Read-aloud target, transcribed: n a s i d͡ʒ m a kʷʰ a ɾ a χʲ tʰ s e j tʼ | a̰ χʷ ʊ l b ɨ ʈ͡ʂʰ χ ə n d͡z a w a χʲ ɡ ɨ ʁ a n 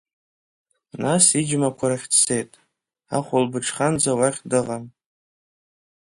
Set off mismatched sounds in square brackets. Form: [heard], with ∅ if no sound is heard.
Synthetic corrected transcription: n a s i d͡ʒ m a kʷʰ a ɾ a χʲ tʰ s e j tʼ | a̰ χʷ ʊ l b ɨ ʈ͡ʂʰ χ [a] n d͡z a w a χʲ [d] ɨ ʁ a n